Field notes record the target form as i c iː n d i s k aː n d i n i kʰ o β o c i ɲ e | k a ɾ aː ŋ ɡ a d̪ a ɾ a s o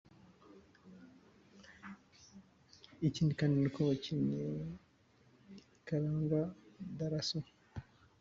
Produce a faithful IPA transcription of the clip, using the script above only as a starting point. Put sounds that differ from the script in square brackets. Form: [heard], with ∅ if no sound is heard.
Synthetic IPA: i c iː n d i [∅] k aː n d i n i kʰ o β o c i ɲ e | k a ɾ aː ŋ ɡ a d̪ a ɾ a s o